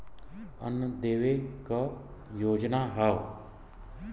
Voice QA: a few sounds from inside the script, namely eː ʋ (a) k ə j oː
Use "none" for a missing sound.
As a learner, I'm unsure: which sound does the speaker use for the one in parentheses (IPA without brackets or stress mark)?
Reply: e